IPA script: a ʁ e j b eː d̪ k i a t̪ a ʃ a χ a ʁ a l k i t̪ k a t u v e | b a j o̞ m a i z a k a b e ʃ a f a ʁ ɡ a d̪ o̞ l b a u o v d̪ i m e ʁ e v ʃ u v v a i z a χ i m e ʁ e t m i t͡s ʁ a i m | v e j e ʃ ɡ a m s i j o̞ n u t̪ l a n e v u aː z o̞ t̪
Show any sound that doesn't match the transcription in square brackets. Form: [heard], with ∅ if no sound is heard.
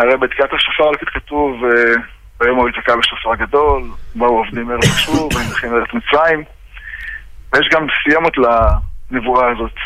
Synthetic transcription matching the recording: a ʁ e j b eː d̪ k i a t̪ a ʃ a [f] a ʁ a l k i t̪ k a t u v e | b a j o̞ m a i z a k a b e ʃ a f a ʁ ɡ a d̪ o̞ l b a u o v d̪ i m e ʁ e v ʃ u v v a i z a χ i m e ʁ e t m i t͡s ʁ a i m | v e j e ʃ ɡ a m s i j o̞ [m] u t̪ l a n e v u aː z o̞ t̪